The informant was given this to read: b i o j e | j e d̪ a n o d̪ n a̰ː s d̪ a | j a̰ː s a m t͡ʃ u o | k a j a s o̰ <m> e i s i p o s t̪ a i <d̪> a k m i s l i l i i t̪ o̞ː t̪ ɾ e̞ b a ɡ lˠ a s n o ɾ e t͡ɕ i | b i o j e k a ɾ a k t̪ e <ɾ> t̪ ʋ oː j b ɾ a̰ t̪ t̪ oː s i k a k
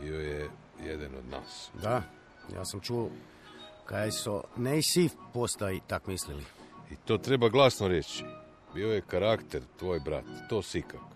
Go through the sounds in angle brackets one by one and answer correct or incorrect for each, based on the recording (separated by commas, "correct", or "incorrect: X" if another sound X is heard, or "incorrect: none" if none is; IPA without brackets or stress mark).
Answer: incorrect: n, incorrect: t̪, correct